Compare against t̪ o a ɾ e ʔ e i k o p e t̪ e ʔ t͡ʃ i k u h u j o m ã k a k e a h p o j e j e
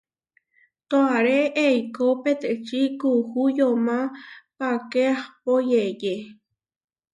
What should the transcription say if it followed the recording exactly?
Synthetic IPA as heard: t̪ o a ɾ e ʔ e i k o p e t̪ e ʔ t͡ʃ i k u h u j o m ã p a k e a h p o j e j e